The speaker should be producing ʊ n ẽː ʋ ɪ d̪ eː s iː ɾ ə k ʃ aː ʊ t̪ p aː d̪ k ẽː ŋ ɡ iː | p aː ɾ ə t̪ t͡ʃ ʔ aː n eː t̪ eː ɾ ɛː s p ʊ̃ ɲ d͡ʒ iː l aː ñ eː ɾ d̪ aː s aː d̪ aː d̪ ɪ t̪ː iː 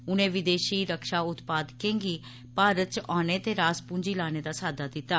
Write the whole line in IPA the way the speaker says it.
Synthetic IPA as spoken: ʊ n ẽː ʋ ɪ d̪ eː ʃ iː ɾ ə k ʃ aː ʊ t̪ p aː d̪ k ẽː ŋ ɡ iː | p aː ɾ ə t̪ t͡ʃ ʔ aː n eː t̪ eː ɾ aː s p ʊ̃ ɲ d͡ʒ iː l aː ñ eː d̪ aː s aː d̪ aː d̪ ɪ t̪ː aː

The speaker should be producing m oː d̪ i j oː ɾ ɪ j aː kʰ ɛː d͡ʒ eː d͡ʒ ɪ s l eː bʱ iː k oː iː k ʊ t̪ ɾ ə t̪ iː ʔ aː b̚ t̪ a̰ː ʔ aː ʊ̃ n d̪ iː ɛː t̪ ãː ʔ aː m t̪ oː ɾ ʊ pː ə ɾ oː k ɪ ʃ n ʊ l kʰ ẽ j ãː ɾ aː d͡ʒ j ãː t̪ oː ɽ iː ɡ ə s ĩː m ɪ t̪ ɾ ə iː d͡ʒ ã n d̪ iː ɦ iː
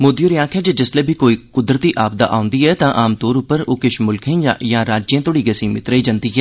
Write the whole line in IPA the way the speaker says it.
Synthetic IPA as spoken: m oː d̪ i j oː ɾ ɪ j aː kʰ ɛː d͡ʒ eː d͡ʒ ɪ s l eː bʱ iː k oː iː k ʊ d̪ ɾ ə t̪ iː ʔ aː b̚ d̪ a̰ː ʔ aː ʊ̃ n d̪ iː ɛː t̪ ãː ʔ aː m t̪ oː ɾ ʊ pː ə ɾ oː k ɪ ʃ m ʊ l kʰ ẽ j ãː ɾ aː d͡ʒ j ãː t̪ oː ɽ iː ɡ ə s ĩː m ɪ t̪ ɾ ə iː d͡ʒ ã n d̪ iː ɦ ɛː

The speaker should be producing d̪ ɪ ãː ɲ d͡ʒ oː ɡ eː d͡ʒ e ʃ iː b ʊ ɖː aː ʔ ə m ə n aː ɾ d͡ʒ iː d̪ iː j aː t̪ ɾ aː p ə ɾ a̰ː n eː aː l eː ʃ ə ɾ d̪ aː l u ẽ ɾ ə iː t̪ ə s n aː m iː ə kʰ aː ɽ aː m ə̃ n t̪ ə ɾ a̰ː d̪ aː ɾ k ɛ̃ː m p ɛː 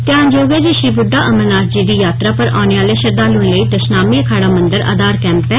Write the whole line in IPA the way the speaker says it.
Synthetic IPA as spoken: t̪ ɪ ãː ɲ d͡ʒ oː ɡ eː d͡ʒ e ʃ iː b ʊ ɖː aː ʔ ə m ə n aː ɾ d͡ʒ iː d̪ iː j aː t̪ ɾ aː p ə ɾ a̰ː n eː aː l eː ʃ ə ɾ d̪ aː l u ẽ l ə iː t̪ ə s n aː m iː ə kʰ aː ɽ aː m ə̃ n d̪ ə ɾ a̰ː d̪ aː ɾ k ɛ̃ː m p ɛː

